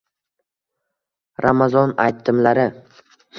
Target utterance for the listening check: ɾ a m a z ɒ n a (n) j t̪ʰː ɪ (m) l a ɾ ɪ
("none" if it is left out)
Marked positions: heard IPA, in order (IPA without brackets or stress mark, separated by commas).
none, m